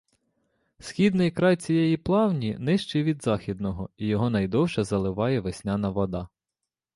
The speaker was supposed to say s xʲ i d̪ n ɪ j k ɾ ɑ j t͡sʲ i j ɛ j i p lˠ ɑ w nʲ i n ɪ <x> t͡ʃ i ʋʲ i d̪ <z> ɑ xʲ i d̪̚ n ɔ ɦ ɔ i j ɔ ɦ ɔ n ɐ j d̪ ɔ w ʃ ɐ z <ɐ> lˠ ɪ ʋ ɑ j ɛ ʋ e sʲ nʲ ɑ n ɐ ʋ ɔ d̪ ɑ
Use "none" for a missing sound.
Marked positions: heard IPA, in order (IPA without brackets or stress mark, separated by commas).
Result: ʃ, z, ɐ